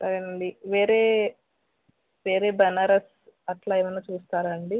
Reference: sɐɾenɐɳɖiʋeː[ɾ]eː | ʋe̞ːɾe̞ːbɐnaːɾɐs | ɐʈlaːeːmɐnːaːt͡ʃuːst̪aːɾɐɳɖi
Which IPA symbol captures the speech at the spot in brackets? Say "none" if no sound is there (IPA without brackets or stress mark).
ɾ